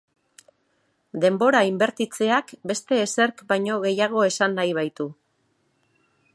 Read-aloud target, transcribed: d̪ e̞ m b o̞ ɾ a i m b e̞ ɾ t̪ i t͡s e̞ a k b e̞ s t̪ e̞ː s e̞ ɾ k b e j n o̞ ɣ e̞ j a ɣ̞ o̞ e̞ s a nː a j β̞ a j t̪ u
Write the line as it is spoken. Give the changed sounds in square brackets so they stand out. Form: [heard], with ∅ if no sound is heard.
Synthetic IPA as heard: d̪ e̞ m b o̞ ɾ a i m b e̞ ɾ t̪ i t͡s e̞ a k b e̞ s t̪ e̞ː s e̞ ɾ k b [a] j [ɲ] o̞ ɣ e̞ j a ɣ̞ o̞ e̞ s a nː a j β̞ a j t̪ u